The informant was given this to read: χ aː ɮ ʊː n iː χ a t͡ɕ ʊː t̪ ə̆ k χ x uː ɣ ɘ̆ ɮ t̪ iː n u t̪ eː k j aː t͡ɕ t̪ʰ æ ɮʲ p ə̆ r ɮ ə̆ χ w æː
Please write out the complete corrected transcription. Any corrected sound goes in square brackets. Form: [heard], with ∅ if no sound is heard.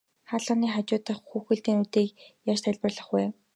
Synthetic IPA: χ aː ɮ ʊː n iː χ a t͡ɕ ʊː t̪ ə̆ [∅] χ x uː [x] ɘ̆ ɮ t̪ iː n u t̪ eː k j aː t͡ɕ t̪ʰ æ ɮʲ p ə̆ r ɮ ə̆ χ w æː